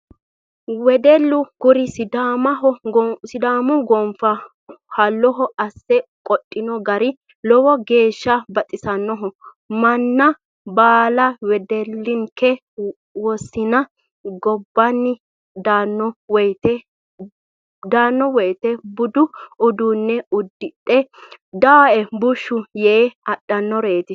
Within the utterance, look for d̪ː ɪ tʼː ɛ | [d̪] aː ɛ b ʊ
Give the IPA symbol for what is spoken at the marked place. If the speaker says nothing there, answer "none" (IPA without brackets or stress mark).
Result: d̪